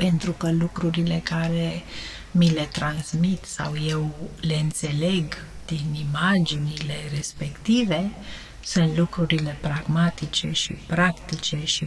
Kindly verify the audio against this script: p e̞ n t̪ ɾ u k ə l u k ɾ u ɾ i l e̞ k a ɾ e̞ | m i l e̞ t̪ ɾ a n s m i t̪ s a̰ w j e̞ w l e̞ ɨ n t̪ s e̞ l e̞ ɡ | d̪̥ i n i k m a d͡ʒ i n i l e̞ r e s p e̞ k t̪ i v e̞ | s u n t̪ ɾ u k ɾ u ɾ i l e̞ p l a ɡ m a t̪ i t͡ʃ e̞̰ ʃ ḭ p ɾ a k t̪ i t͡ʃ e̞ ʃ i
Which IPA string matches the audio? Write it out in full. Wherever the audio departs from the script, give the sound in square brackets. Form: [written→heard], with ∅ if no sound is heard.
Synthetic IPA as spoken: p e̞ n t̪ ɾ u k ə l u k ɾ u ɾ i l e̞ k a ɾ e̞ | m i l e̞ t̪ ɾ a n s m i t̪ s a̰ w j e̞ w l e̞ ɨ n t̪ s e̞ l e̞ ɡ | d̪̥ i n i [k→∅] m a d͡ʒ i n i l e̞ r e s p e̞ k t̪ i v e̞ | s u n t̪ [ɾ→l] u k ɾ u ɾ i l e̞ p [l→ɾ] a ɡ m a t̪ i t͡ʃ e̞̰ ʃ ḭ p ɾ a k t̪ i t͡ʃ e̞ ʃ i